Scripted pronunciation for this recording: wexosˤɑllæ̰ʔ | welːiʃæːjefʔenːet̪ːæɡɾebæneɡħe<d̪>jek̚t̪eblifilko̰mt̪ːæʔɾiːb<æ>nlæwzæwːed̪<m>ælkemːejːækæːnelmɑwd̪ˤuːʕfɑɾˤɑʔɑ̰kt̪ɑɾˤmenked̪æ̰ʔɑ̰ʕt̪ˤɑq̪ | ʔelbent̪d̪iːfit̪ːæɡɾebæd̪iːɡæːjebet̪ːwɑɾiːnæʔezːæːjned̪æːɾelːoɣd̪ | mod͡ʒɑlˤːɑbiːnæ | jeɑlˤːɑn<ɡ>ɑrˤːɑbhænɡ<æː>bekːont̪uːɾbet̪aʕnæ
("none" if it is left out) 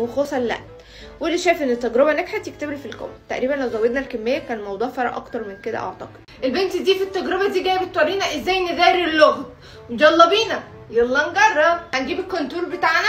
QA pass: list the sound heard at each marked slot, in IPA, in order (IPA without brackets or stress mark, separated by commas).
t̪, æ, n, ɡ, iː